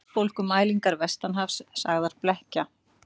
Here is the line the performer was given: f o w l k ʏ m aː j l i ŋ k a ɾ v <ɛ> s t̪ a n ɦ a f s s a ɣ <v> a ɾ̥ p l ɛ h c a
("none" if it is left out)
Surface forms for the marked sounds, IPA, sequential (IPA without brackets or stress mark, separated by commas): ɛ, ð